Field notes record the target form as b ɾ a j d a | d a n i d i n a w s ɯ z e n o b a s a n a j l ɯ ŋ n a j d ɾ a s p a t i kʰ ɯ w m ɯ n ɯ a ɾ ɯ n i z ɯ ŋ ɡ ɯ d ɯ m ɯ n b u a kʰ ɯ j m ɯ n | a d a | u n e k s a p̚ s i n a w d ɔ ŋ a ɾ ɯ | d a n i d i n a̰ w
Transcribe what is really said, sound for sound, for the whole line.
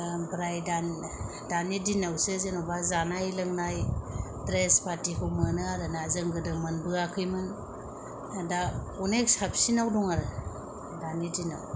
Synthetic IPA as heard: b ɾ a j d a | d a n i d i n a w s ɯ z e n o b a z a n a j l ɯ ŋ n a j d ɾ e s p a t i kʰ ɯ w m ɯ n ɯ a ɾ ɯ n a z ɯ ŋ ɡ ɯ d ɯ m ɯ n b ɯ a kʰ ɯ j m ɯ n | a d a | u n e k s a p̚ s i n a w d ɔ ŋ a ɾ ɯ | d a n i d i n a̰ w